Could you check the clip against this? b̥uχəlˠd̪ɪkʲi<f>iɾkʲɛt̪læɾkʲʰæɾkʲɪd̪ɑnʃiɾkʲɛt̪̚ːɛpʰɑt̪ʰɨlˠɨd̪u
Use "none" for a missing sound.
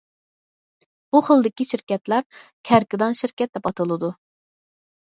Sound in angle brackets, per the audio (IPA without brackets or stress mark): ʃ